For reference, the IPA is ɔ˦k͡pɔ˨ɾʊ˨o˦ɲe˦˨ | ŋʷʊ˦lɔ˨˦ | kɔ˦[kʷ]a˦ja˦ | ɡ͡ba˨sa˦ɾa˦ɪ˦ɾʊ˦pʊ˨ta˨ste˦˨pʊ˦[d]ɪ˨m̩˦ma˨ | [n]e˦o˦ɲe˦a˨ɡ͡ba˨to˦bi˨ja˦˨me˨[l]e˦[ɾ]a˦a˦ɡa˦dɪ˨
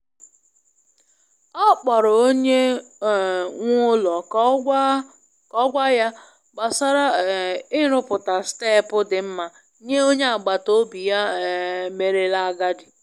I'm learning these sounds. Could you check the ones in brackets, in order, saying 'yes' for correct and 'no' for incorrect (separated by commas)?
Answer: no, yes, no, no, no